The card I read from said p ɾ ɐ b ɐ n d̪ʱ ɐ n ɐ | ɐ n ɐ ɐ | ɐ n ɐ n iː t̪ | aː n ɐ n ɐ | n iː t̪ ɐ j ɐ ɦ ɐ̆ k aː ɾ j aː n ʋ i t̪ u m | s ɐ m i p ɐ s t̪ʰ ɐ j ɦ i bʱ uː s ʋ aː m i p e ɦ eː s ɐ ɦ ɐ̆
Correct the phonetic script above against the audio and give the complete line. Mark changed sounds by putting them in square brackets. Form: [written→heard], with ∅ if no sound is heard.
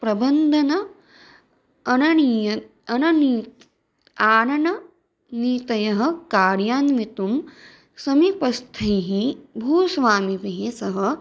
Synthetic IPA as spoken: p ɾ ɐ b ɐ n d̪ʱ ɐ n ɐ | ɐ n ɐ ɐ | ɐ n ɐ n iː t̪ | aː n ɐ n ɐ | n iː t̪ ɐ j ɐ ɦ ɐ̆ k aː ɾ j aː n ʋ i t̪ u m | s ɐ m i p ɐ s t̪ʰ ɐ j ɦ i bʱ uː s ʋ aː m i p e ɦ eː s ɐ ɦ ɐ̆